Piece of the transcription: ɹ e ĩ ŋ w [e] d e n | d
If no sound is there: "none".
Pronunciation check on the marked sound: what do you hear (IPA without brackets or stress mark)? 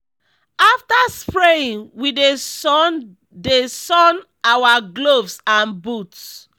i